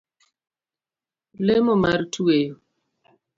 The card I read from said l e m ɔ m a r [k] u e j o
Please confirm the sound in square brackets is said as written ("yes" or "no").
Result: no